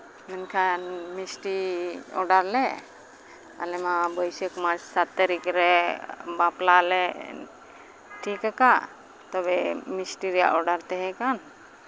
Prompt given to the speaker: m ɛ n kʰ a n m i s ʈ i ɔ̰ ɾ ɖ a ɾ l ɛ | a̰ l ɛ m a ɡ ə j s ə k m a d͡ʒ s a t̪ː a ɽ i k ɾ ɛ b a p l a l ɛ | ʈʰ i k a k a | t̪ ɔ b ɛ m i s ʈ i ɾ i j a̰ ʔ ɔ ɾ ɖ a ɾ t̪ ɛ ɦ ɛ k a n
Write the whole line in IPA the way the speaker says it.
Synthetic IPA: m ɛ n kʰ a n m i s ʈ i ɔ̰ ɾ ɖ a ɾ l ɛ | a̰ l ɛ m a b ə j s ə k m a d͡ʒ s a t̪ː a ɾ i k ɾ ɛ b a p l a l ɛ | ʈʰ i k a k a | t̪ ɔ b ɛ m i s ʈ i ɾ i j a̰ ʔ ɔ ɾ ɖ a ɾ t̪ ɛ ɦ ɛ k a n